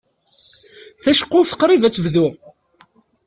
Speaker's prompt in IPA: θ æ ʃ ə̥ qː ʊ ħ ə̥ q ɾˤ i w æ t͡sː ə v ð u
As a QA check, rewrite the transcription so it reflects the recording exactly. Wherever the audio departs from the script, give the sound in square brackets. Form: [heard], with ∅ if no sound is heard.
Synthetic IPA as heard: θ æ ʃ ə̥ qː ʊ [θ] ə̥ q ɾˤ i [v] æ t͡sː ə v ð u